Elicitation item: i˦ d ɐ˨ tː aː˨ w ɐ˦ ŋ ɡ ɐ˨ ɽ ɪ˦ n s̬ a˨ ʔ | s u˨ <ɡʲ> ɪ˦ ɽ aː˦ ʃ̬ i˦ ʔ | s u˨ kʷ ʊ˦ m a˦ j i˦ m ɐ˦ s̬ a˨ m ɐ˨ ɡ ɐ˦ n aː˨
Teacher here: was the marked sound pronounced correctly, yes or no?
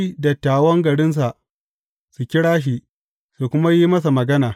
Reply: no